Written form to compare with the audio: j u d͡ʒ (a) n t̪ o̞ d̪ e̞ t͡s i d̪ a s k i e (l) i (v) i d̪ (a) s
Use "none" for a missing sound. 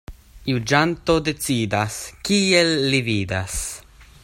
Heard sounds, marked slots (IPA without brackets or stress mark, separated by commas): a, lː, v, a